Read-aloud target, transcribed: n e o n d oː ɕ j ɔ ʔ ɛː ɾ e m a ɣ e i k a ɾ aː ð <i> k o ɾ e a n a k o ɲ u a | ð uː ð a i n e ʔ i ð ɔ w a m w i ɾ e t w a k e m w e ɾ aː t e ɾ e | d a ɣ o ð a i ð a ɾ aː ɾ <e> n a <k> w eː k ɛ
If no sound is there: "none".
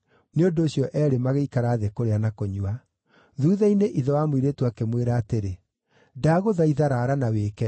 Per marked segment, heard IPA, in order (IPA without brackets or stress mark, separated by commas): e, a, none